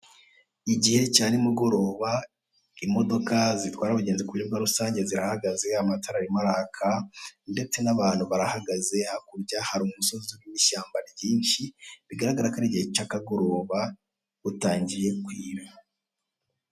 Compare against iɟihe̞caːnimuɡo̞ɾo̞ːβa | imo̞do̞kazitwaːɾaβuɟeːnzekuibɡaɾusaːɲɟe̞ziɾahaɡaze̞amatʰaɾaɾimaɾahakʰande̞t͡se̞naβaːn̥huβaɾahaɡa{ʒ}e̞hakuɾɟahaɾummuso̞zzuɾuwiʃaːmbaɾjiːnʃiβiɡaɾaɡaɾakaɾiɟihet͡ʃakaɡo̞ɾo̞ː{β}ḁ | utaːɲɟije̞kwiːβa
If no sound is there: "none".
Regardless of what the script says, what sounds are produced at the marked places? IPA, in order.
z, β

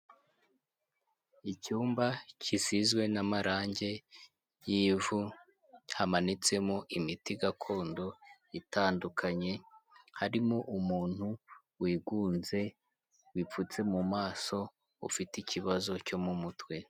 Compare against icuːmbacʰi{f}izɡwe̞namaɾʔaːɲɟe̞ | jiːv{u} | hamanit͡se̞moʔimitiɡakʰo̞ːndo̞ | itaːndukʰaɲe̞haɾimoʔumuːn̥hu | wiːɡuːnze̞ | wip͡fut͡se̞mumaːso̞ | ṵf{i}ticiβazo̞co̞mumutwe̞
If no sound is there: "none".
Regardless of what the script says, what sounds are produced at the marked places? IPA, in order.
s, u, i

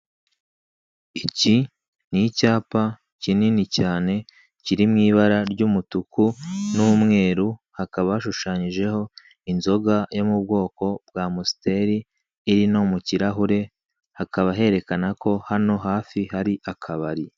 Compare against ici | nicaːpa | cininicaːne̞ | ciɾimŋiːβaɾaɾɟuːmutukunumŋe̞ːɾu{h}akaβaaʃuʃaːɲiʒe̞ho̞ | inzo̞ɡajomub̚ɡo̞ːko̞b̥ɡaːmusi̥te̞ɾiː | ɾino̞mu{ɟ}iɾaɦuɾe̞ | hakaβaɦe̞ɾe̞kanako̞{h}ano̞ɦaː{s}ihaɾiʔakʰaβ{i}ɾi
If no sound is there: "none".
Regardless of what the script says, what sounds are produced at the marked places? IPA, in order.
h, c, h, f, a

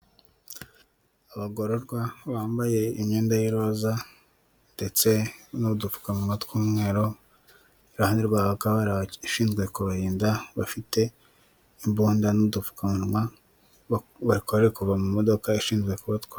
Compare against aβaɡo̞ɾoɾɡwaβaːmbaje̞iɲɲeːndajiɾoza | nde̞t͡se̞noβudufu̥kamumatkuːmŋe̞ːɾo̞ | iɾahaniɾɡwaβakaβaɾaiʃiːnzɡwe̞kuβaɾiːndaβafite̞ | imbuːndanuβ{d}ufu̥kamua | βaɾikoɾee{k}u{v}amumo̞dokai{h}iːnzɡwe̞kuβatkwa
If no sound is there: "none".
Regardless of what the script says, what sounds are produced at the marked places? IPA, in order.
d, k, v, ʃ

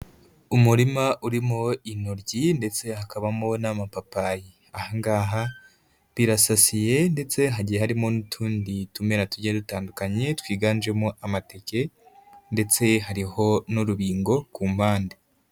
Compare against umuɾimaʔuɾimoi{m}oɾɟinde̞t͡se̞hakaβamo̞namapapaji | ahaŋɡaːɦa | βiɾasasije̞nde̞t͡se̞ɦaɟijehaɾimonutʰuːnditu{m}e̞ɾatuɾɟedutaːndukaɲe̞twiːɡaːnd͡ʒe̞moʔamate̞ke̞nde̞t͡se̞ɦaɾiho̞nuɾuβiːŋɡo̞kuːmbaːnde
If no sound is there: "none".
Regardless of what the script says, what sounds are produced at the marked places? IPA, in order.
n, m

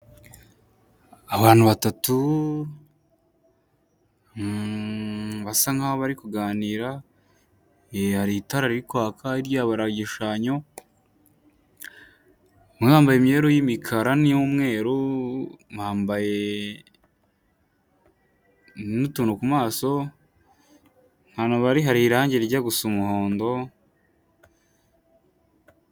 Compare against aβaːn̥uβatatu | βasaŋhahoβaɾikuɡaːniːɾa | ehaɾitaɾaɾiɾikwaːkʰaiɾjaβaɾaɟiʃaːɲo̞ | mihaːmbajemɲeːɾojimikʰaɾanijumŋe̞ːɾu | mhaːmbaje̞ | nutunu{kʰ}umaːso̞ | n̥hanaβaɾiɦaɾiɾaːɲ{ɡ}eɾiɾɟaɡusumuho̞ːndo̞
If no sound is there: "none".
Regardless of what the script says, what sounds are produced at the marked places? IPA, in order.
k, ɟ

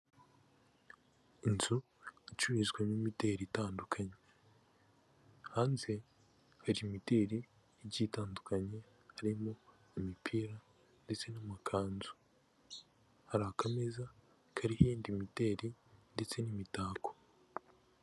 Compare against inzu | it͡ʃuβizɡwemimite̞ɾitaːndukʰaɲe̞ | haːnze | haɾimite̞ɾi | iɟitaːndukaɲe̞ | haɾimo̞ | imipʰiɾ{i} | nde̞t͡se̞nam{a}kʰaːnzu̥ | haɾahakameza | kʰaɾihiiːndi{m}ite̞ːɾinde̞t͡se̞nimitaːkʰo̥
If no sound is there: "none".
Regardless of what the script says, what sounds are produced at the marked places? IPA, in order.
a, a, m

